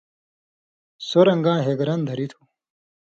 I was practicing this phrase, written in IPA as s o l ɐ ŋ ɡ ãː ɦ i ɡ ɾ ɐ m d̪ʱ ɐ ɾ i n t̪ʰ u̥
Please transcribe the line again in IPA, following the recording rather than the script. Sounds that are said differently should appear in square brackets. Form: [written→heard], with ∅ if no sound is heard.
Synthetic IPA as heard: s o [l→ɾ] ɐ ŋ ɡ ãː ɦ [i→e] ɡ ɾ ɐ [m→n] d̪ʱ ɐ ɾ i [n→∅] t̪ʰ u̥